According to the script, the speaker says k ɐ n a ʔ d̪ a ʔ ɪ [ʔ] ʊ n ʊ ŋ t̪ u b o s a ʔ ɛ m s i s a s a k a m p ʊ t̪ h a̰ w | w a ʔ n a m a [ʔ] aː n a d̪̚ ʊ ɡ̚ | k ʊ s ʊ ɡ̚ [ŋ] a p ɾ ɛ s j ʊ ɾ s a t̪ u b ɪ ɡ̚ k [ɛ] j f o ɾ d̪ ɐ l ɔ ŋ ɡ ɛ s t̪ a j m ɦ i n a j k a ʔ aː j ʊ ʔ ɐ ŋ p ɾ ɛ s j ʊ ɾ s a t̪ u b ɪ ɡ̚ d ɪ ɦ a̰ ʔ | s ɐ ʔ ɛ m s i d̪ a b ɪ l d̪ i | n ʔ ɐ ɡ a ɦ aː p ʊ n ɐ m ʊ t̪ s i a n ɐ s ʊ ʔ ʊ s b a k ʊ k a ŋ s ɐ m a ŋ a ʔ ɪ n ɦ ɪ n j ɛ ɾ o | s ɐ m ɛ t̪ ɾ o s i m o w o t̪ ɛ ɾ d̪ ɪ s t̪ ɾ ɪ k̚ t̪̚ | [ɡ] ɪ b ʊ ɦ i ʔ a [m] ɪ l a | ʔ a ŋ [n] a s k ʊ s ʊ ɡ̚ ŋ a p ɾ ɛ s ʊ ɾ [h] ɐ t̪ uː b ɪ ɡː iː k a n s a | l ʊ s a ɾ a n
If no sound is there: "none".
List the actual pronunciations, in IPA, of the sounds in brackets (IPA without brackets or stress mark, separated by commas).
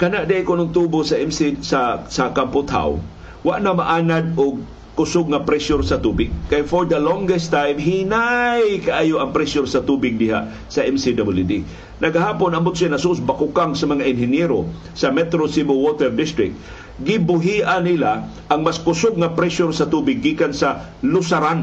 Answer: k, ʔ, ŋ, a, ɡ, n, m, s